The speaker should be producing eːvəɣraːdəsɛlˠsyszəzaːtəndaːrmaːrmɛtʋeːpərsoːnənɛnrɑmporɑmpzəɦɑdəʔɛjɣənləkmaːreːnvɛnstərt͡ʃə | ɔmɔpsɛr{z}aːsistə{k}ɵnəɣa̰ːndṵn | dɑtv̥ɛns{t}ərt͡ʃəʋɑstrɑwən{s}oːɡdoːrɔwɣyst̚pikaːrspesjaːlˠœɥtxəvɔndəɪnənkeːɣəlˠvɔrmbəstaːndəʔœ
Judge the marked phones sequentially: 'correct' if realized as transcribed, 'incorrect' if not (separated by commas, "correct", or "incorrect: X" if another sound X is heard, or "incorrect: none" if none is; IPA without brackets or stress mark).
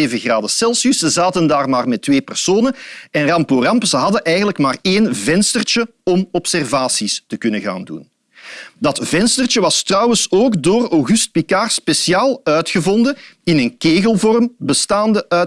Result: incorrect: v, correct, correct, correct